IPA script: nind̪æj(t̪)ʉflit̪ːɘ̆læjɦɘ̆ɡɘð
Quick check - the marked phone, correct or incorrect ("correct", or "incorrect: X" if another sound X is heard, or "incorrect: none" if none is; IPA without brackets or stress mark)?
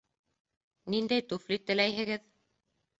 correct